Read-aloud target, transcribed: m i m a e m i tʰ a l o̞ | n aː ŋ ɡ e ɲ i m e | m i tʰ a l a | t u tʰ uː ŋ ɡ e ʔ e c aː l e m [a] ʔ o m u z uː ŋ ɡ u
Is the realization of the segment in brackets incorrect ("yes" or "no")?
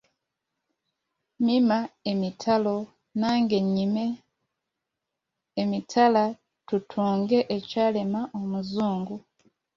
no